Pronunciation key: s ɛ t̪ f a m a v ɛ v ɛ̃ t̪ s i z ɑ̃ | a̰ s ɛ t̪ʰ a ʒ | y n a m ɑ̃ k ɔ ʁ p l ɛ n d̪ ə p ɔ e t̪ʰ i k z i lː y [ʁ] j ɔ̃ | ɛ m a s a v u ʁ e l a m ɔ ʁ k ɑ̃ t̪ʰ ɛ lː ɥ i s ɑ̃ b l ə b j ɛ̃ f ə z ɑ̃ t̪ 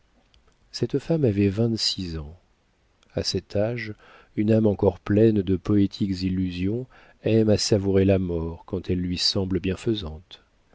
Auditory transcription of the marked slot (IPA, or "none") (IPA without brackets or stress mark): z